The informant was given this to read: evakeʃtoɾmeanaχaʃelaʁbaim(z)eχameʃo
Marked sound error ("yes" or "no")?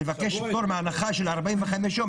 yes